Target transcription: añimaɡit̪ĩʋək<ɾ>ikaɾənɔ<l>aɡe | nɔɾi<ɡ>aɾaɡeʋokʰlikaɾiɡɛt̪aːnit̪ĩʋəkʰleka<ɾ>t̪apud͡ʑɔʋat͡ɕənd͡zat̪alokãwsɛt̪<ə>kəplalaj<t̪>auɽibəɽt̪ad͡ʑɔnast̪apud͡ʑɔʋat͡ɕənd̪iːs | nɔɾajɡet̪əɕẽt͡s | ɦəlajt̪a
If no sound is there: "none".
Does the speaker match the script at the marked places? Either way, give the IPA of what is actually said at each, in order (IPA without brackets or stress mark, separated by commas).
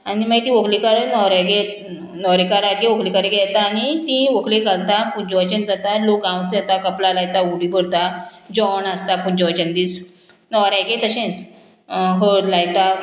l, ɾ, k, l, a, t̪